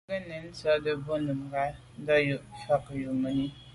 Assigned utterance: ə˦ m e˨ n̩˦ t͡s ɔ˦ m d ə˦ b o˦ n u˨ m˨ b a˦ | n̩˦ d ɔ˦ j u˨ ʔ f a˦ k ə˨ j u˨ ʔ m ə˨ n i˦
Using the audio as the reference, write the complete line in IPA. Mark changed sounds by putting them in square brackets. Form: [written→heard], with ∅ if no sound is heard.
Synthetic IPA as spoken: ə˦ [m→n] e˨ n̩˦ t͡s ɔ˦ [m→∅] d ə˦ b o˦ n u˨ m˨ [b→ɡ] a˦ | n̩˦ d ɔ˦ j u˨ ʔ f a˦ k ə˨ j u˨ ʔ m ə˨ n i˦